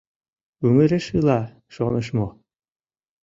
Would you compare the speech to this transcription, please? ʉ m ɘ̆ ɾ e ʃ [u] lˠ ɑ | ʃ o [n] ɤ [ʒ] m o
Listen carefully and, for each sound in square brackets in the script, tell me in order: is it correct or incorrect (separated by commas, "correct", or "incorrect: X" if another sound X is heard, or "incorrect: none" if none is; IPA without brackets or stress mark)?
incorrect: ɯ, correct, incorrect: ʃ